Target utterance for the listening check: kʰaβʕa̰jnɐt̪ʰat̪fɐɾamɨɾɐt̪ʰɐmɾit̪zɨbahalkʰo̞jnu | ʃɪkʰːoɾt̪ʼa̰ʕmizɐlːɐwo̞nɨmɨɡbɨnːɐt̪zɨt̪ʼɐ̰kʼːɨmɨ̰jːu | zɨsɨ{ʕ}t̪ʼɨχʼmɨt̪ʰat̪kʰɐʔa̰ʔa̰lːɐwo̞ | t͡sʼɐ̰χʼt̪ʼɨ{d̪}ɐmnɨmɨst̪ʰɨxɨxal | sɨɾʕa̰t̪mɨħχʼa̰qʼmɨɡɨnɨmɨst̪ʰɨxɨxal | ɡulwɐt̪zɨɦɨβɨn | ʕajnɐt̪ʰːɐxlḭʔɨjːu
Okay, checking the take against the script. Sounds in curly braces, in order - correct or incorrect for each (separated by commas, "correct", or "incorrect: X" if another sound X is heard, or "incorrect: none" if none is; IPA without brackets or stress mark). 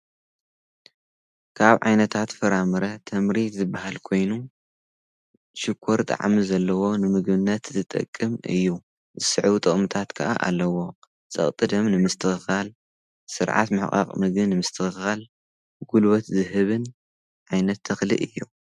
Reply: correct, correct